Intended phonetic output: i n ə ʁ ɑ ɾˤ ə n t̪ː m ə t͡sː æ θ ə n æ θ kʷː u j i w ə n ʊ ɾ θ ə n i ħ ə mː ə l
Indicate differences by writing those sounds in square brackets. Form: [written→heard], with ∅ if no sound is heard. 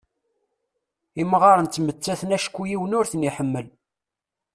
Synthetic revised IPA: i [n→m] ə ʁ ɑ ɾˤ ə n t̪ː m ə t͡sː æ θ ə n æ [θ→ʃ] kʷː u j i w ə n ʊ ɾ θ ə n i ħ ə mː ə l